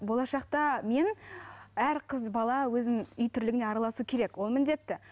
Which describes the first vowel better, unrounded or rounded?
rounded